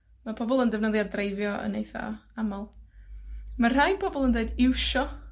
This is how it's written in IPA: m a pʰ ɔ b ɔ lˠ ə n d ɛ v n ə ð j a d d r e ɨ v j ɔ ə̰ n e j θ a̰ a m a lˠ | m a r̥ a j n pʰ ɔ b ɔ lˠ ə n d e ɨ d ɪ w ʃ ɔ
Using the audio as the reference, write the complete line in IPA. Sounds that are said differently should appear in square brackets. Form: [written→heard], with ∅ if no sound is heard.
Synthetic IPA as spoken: m a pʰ ɔ b ɔ lˠ ə n d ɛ v n ə ð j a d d r e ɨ v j ɔ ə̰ n e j θ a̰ a m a lˠ | m a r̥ a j n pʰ ɔ b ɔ lˠ ə n d e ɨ d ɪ w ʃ ɔ